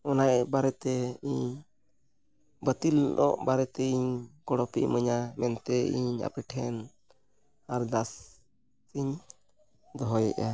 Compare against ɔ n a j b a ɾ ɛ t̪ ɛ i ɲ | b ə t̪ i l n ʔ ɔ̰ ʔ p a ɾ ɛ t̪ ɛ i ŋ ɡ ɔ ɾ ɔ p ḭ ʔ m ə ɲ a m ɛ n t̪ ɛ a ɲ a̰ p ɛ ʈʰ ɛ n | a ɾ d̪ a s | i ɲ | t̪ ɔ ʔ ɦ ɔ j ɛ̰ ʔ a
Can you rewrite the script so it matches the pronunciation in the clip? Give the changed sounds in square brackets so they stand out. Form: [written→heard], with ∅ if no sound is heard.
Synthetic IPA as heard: ɔ n a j b a ɾ ɛ t̪ ɛ i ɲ | b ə t̪ i l n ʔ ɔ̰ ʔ [p→b] a ɾ ɛ t̪ ɛ i [ŋ→ɲ] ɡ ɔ [ɾ→ɽ] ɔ p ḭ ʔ m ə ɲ a m ɛ n t̪ ɛ [a→i] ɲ a̰ p ɛ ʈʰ ɛ n | a ɾ d̪ a s | i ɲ | [t̪→d̪] ɔ [ʔ→∅] ɦ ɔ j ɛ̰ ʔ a